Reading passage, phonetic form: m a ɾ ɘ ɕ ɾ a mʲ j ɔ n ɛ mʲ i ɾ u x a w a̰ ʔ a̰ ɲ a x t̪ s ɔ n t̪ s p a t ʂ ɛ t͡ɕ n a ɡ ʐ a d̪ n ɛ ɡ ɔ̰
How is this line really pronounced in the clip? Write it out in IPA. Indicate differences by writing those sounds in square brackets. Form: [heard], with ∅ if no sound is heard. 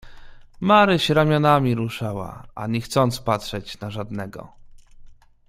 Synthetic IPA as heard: m a ɾ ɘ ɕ ɾ a mʲ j ɔ n [a] mʲ i ɾ u [ʂ] a w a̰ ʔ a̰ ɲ [ɛ] x t̪ s ɔ n t̪ s p a t ʂ ɛ t͡ɕ n a [∅] ʐ a d̪ n ɛ ɡ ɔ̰